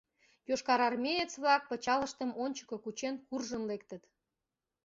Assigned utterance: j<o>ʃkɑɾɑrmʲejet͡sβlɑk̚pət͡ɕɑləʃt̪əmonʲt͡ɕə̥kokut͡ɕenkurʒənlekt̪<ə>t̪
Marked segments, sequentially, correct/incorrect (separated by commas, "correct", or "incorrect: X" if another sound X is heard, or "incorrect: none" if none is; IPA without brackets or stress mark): correct, correct